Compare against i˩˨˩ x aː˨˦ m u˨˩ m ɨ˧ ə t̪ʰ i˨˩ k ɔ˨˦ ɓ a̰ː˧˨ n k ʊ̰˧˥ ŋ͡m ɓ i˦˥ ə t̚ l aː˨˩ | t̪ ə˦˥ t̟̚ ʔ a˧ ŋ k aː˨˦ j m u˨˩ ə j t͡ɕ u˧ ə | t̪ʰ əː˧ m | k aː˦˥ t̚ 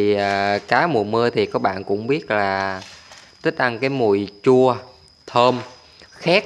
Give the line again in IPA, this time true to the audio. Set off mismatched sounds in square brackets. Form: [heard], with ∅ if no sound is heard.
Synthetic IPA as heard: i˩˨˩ [k] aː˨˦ m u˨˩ m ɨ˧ ə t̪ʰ i˨˩ k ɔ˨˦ ɓ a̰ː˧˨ n k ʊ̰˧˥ ŋ͡m ɓ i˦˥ ə t̚ l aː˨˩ | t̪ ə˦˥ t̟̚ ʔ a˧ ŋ k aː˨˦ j m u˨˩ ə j t͡ɕ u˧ ə | t̪ʰ əː˧ m | [x] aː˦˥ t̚

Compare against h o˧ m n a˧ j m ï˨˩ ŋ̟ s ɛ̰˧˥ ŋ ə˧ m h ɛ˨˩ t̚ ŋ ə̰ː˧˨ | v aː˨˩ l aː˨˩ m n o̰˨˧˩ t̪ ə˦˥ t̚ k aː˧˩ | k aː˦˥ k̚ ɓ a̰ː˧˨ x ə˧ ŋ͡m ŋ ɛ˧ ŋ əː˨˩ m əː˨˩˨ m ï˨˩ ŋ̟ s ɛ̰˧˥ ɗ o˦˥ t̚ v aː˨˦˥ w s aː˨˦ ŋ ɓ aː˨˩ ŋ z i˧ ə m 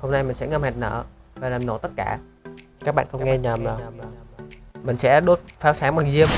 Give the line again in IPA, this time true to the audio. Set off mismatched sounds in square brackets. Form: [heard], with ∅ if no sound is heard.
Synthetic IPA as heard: h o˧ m n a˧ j m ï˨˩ ŋ̟ s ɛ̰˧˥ ŋ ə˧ m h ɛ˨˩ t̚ [n] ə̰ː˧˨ | v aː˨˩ l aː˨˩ m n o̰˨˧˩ t̪ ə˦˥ t̚ k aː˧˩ | k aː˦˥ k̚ ɓ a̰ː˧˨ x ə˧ ŋ͡m ŋ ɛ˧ [ɲ] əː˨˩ m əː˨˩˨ m ï˨˩ ŋ̟ s ɛ̰˧˥ ɗ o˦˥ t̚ [f] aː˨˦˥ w s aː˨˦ ŋ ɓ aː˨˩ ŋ z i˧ ə m

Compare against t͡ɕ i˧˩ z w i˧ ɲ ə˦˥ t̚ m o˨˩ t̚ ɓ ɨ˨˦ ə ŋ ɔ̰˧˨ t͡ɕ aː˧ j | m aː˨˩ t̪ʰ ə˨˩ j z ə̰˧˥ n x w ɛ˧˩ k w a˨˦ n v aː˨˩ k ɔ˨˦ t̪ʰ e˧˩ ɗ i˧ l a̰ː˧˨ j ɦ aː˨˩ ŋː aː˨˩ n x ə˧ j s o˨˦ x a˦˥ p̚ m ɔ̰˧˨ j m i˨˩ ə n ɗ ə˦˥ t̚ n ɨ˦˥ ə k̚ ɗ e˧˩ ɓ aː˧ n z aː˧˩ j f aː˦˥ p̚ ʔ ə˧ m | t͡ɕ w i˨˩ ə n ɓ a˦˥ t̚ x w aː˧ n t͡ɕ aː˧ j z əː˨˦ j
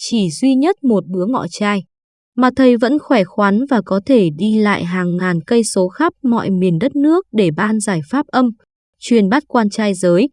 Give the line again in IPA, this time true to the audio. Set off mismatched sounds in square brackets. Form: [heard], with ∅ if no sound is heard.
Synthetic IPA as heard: t͡ɕ i˧˩ z w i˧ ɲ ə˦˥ t̚ m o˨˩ t̚ ɓ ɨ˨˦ ə ŋ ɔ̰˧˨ t͡ɕ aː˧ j | m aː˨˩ t̪ʰ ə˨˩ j [v] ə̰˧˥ n x w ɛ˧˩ [x] w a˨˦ n v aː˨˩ k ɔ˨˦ t̪ʰ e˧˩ ɗ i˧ l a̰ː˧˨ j ɦ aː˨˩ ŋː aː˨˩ n [k] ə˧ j s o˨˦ x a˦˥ p̚ m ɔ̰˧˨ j m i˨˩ ə n ɗ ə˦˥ t̚ n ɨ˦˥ ə k̚ ɗ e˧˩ ɓ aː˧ n z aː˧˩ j f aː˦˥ p̚ ʔ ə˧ m | t͡ɕ w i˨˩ ə n ɓ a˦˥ t̚ [k] w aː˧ n t͡ɕ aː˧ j z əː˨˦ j

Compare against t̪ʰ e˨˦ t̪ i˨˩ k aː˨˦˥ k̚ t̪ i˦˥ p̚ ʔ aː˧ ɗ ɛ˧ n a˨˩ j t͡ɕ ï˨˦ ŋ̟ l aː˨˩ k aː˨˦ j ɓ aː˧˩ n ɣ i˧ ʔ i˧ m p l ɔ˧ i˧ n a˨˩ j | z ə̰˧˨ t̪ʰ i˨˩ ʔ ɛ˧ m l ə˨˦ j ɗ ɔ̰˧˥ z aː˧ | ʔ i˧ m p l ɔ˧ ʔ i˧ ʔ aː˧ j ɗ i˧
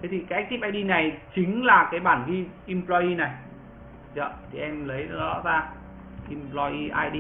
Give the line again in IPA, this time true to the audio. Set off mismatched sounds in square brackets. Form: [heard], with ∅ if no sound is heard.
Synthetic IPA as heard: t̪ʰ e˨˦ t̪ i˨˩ k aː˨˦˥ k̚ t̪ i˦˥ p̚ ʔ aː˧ ɗ [i˧] n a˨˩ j t͡ɕ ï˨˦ ŋ̟ l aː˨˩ k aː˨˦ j ɓ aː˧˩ n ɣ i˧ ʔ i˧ m p l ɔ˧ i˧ n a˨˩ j | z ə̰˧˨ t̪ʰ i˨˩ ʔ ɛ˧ m l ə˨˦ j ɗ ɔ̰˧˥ z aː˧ | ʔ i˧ m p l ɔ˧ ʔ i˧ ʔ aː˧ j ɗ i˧

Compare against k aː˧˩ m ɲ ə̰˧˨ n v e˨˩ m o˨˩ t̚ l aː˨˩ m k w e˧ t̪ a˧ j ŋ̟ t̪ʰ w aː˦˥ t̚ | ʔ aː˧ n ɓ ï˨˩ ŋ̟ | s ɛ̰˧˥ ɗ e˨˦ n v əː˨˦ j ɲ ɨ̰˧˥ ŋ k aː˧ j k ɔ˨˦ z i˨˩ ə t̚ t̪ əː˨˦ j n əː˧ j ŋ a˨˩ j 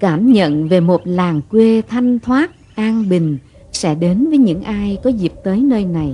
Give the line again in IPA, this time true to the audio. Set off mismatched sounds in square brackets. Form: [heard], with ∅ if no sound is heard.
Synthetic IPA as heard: k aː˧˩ m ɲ ə̰˧˨ n v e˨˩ m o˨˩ t̚ l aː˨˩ [ŋ] k w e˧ [t̪ʰ] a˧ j ŋ̟ t̪ʰ w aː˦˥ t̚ | ʔ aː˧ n ɓ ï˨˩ ŋ̟ | s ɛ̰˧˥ ɗ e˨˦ n v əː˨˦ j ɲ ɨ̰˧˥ ŋ [ʔ] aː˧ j k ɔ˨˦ z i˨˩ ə [p̚] t̪ əː˨˦ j n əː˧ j [n] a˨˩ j

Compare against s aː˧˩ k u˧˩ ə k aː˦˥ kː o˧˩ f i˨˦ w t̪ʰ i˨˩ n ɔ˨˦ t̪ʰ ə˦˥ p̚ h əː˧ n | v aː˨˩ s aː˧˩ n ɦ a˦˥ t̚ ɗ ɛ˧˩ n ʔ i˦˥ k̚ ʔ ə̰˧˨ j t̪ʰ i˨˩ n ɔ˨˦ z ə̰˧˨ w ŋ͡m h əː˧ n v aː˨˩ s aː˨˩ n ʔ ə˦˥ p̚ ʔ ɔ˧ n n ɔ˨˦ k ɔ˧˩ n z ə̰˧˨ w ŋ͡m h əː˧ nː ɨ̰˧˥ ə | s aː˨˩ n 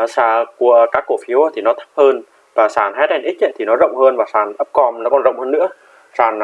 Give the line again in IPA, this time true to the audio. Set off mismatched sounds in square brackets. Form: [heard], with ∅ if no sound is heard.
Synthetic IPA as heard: s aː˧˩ k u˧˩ ə k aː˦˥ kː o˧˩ f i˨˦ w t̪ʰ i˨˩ n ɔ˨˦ t̪ʰ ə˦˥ p̚ h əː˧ n | v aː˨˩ s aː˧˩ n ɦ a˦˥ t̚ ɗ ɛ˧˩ n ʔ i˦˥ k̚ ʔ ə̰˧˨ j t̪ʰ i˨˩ n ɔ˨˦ z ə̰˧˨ w ŋ͡m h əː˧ n v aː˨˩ s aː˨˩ n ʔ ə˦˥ p̚ [k] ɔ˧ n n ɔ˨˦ k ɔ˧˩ n z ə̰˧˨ w ŋ͡m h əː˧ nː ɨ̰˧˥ ə | s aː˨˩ n

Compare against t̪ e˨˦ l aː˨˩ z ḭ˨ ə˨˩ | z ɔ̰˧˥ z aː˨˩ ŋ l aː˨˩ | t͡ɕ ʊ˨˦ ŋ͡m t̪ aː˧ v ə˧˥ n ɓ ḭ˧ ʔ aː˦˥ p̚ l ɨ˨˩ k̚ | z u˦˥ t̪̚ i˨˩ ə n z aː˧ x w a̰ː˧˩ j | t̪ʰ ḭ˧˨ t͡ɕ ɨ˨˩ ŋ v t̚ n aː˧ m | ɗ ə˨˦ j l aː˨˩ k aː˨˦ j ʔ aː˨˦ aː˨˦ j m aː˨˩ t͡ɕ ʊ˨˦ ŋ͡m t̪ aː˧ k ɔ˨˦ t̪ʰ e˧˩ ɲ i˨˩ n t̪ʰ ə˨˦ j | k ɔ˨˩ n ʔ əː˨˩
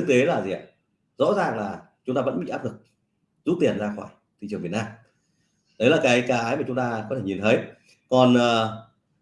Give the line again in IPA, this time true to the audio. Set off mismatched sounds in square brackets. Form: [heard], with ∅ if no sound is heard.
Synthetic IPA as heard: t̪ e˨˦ l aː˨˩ z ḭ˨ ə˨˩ | z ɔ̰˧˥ z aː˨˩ ŋ l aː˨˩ | t͡ɕ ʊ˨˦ ŋ͡m t̪ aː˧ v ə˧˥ n ɓ ḭ˧ ʔ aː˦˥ p̚ l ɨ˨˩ k̚ | z u˦˥ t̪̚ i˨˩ ə n z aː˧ x w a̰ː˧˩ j | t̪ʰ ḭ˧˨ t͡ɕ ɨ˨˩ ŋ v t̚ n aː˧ m | ɗ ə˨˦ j l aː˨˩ k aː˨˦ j [k] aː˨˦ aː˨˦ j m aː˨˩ t͡ɕ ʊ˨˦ ŋ͡m t̪ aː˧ k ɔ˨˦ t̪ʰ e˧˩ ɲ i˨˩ n t̪ʰ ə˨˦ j | k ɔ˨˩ n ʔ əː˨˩

